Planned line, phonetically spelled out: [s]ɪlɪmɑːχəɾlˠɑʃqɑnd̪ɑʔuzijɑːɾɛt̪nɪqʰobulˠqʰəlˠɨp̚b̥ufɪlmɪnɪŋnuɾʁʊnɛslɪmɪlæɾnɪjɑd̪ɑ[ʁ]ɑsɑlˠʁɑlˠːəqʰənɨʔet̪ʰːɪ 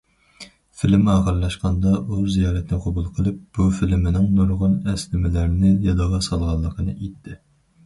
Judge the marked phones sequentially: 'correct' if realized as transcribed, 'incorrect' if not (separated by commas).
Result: incorrect, correct